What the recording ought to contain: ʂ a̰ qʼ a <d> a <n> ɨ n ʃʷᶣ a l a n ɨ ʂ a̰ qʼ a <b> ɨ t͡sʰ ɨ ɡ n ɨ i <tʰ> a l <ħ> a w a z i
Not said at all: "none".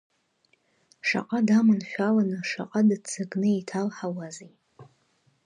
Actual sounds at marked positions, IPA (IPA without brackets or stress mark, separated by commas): d, m, d, tʰ, ħ